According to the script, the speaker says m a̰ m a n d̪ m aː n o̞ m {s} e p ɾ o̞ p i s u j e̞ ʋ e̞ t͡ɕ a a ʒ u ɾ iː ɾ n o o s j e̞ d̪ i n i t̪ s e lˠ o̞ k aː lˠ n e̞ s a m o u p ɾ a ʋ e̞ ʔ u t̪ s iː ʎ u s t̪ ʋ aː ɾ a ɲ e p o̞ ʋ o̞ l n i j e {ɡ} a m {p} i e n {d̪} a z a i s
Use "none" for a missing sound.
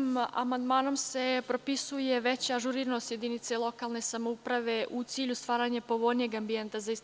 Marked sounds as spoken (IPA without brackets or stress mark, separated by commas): s, ɡ, b, t̪